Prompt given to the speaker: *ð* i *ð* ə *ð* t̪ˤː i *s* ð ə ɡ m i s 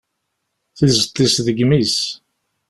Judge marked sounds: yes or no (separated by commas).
no, no, no, yes